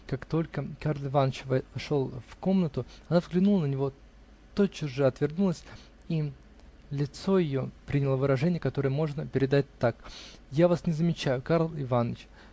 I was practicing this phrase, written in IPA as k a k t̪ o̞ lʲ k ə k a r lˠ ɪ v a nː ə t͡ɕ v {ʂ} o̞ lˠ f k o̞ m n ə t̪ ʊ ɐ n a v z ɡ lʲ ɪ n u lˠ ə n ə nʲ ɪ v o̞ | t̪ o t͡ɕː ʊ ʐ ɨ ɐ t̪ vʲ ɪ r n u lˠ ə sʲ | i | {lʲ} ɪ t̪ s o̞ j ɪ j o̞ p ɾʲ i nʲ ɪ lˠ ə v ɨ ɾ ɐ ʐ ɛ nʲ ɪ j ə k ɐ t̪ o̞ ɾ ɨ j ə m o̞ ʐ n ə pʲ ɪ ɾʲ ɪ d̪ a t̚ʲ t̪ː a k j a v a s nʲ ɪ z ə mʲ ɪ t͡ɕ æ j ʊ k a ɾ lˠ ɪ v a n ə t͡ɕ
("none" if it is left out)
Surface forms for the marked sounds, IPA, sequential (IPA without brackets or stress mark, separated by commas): ʂ, lʲ